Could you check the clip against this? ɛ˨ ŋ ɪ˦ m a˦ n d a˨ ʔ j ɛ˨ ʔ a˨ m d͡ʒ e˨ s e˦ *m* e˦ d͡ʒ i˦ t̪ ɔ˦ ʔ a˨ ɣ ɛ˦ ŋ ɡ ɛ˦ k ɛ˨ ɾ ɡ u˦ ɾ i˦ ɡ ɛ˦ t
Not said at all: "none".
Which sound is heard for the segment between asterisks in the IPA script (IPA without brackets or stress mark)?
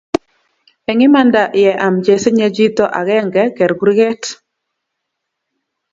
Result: ɲ